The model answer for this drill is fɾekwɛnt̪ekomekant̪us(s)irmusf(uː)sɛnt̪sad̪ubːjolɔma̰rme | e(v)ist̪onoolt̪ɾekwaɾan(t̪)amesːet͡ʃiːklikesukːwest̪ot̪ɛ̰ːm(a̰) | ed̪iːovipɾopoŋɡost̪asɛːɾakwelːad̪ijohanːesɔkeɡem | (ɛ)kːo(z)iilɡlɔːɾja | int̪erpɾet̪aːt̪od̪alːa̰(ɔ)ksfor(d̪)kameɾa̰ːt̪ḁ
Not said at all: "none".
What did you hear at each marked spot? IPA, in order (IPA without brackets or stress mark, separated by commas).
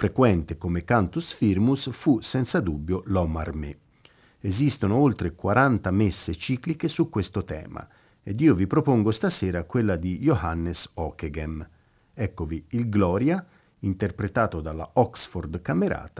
f, u, z, t̪, a̰, ɛ, v, ɔ, d̪